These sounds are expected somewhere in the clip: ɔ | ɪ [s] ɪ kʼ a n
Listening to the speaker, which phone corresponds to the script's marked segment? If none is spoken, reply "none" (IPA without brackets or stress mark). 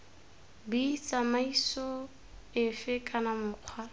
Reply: f